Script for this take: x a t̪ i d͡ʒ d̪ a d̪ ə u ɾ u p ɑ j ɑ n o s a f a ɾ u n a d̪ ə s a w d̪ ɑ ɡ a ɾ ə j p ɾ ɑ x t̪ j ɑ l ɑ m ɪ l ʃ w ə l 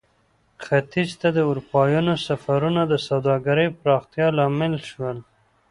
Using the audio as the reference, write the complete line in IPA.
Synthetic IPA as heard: x a t̪ i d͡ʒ t̪ a d̪ ə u ɾ u p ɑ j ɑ n o s a f a ɾ u n a d̪ ə s a w d̪ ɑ ɡ a ɾ ə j p ɾ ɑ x t̪ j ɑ l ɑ m ɪ l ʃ w ə l